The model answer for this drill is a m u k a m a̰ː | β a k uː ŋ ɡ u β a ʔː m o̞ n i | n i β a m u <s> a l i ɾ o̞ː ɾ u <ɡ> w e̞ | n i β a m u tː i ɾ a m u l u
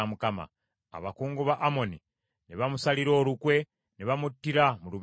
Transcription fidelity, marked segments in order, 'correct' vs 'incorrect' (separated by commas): correct, incorrect